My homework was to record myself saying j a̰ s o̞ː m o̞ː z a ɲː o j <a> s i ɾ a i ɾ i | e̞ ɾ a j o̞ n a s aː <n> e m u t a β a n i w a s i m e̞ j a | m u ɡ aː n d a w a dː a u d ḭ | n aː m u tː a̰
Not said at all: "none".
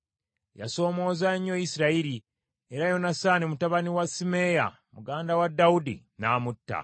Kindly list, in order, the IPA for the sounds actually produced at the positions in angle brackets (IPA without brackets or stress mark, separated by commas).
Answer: i, n